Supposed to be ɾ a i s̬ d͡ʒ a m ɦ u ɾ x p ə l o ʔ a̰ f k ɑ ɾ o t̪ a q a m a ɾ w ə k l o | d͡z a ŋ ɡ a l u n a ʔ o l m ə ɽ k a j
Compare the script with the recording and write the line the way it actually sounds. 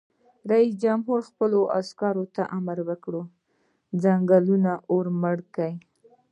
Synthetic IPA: ɾ a i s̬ d͡ʒ a m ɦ u ɾ x p ə l o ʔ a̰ s k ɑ ɾ o t̪ a ʔ a m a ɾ w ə k ɽ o | d͡z a ŋ ɡ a l u n a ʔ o ɾ m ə ɽ k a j